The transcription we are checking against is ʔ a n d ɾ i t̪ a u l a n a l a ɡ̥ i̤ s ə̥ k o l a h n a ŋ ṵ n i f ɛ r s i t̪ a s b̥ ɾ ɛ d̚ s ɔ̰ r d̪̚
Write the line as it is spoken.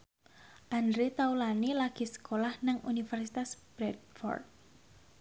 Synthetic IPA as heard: ʔ a n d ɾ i t̪ a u l a n i l a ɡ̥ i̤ s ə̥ k o l a h n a ŋ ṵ n i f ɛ r s i t̪ a s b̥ ɾ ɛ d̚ f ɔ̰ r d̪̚